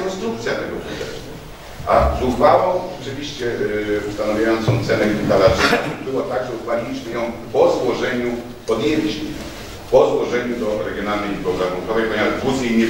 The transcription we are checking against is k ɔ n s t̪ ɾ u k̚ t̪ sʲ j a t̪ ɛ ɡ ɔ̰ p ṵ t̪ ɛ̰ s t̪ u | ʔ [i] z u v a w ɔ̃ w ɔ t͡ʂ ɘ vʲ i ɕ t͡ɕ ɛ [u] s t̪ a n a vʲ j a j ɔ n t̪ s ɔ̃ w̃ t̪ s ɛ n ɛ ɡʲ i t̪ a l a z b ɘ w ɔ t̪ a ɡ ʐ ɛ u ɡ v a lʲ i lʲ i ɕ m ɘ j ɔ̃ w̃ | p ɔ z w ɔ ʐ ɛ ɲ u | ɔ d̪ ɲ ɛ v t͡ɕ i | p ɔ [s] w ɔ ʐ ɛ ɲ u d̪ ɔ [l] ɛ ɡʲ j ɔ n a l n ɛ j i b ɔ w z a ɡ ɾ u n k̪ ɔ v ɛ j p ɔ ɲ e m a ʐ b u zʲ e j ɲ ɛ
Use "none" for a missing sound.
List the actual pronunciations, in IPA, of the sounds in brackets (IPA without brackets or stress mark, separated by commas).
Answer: a, u, z, ɾ